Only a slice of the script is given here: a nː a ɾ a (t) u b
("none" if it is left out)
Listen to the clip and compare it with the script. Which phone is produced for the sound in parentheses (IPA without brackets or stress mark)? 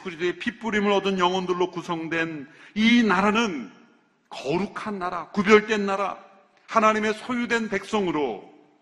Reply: k